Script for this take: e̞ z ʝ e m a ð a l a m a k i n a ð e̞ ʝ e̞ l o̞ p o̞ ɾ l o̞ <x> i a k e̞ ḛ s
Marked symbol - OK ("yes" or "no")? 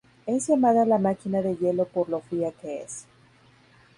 no